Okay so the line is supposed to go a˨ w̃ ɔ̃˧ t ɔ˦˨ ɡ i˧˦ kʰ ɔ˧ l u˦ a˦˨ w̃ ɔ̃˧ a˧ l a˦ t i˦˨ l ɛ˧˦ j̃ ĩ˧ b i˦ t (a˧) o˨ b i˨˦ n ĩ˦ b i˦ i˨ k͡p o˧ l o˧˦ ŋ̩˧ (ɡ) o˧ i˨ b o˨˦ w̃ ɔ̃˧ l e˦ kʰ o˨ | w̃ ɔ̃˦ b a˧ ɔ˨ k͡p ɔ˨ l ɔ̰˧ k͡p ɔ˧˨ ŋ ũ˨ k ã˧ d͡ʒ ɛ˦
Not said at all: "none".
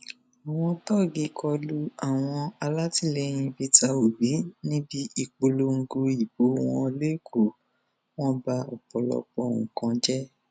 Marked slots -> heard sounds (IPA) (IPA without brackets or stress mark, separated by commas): a˧, ɡ